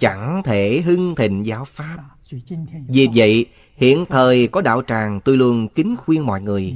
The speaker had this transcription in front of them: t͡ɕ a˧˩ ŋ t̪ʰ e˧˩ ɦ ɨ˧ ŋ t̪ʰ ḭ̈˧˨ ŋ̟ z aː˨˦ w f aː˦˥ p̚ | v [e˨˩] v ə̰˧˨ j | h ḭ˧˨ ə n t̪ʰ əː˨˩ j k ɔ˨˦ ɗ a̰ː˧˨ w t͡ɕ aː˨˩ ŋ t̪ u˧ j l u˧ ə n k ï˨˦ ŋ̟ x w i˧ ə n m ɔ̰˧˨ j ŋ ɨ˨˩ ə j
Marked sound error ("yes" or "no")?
yes